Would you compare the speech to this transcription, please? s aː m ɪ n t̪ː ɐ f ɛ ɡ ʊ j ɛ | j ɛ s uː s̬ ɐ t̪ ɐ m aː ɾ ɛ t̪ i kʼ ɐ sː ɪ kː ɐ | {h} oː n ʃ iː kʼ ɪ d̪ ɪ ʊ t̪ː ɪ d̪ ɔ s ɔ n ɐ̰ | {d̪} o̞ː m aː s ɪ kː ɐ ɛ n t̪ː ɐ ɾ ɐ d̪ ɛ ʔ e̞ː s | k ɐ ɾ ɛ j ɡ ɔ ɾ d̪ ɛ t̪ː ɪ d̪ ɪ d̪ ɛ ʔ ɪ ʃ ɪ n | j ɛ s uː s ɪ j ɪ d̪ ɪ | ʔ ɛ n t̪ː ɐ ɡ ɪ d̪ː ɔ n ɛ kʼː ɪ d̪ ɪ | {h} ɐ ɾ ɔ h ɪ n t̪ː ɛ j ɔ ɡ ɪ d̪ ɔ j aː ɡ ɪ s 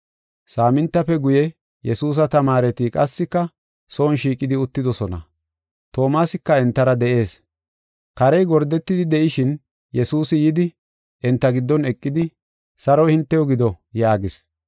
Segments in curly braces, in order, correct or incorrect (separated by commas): incorrect, incorrect, incorrect